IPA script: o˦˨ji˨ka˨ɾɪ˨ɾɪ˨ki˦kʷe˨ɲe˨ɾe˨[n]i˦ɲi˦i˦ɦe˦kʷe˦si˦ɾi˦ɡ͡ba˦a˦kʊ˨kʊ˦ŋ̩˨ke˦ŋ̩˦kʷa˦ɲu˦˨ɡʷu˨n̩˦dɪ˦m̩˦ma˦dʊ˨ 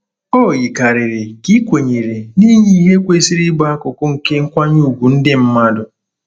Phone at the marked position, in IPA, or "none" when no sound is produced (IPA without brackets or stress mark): n